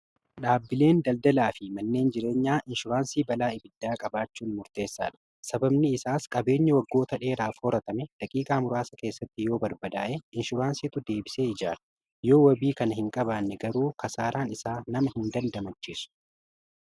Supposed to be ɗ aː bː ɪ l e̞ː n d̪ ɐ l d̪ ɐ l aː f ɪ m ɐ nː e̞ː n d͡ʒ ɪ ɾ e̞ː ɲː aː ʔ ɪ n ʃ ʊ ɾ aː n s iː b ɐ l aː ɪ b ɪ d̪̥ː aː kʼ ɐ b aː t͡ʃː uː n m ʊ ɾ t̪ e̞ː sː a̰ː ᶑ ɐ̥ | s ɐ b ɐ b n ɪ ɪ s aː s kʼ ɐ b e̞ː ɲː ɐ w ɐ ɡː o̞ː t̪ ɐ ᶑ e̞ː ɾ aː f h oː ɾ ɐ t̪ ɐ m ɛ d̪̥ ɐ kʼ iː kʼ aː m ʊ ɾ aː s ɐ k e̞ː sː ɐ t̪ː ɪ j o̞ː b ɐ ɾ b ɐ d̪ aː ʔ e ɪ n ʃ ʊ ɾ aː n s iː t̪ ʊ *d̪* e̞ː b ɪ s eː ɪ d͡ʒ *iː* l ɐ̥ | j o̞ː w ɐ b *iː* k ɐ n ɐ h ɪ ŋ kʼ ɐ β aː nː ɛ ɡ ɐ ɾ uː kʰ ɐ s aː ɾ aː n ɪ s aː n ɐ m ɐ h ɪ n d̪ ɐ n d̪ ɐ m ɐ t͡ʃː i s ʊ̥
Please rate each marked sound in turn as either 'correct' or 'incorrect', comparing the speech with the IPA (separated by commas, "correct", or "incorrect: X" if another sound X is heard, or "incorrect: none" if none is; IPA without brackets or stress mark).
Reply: correct, incorrect: aː, correct